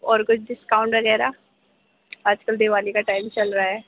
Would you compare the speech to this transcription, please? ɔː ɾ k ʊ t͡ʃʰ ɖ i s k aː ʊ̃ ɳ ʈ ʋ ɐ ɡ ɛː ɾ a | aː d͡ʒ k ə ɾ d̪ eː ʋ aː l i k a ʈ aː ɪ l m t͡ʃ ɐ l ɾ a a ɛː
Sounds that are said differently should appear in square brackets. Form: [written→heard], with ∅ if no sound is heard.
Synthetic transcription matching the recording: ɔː ɾ k ʊ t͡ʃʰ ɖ [i→ɪ] s k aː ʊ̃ ɳ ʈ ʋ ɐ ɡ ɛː ɾ a | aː d͡ʒ k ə [ɾ→l] d̪ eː ʋ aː l i k a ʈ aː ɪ [l→∅] m t͡ʃ ɐ l ɾ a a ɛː